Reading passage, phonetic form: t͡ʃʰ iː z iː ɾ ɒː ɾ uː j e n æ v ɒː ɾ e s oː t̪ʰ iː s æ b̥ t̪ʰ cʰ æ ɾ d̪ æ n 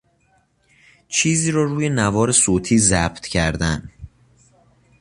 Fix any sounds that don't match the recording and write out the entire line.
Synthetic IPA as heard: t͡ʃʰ iː z iː ɾ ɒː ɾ uː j e n æ v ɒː ɾ e s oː t̪ʰ iː z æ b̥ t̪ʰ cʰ æ ɾ d̪ æ n